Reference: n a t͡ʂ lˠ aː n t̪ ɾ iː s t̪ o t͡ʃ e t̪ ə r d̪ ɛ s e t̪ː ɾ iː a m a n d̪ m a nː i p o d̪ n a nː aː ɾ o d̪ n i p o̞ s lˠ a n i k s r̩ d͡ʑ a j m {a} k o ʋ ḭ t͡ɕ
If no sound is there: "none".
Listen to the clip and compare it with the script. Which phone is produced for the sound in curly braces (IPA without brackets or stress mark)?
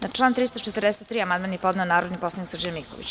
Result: i